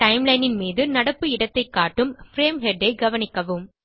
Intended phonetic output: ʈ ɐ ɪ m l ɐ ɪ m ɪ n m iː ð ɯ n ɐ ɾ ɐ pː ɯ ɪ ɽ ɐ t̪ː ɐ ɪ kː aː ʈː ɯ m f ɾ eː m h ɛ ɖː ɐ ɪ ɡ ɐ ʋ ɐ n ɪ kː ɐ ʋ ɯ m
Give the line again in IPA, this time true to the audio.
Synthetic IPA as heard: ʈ ɐ ɪ m l ɐ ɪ n ɪ n m iː ð ɯ n ɐ ɽ ɐ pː ɯ ɪ ɽ ɐ t̪ː ɐ ɪ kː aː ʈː ɯ m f ɾ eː m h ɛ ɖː ɐ ɪ ɡ ɐ ʋ ɐ n ɪ kː ɐ ʋ ɯ m

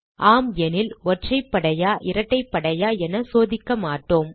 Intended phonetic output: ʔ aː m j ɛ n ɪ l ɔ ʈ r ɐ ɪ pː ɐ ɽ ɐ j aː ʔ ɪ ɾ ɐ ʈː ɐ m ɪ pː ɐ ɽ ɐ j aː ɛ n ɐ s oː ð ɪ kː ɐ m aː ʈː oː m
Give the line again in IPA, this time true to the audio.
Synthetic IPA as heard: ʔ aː m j ɛ n ɪ l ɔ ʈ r ɐ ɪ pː ɐ ɽ ɐ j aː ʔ ɪ ɾ ɐ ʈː ɐ ɪ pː ɐ ɽ ɐ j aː ɛ n ɐ s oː ð ɪ kː ɐ m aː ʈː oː m

